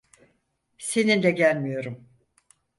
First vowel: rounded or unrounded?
unrounded